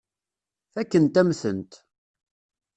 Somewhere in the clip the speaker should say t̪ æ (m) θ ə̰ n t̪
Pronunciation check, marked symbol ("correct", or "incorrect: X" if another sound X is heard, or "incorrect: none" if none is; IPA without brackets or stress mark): correct